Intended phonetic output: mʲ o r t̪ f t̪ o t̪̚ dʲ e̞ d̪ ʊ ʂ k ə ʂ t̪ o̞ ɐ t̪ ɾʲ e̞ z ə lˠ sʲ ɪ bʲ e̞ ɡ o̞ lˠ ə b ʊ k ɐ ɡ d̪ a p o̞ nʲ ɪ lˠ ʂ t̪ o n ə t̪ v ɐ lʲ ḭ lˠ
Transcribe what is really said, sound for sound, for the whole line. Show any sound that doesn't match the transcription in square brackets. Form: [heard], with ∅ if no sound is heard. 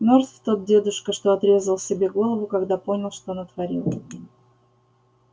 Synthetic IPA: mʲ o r t̪ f t̪ o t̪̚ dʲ e̞ d̪ ʊ ʂ k ə ʂ t̪ o̞ ɐ t̪ ɾʲ e̞ z ə lˠ sʲ ɪ bʲ e̞ ɡ o̞ lˠ ə [v] ʊ k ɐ ɡ d̪ a p o̞ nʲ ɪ lˠ ʂ t̪ o n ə t̪ v ɐ [ɾʲ] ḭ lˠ